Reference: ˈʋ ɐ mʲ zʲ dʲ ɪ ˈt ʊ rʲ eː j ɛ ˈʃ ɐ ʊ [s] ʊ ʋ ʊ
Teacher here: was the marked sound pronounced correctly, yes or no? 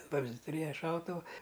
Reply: no